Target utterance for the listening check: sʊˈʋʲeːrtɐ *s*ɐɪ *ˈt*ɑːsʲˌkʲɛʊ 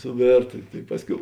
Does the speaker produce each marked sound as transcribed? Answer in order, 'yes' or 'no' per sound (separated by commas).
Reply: no, no